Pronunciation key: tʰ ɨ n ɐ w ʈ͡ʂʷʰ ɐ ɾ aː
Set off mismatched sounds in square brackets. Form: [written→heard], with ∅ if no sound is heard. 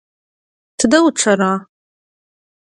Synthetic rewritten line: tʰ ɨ [n→d] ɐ w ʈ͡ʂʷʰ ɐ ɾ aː